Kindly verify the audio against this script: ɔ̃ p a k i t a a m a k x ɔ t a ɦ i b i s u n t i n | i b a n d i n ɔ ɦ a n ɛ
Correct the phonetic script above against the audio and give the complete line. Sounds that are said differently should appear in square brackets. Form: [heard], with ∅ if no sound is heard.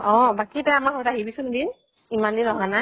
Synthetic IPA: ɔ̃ [b] a k i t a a m a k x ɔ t a ɦ i b i s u n [d] i n | i [m] a n d i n ɔ ɦ a n [a]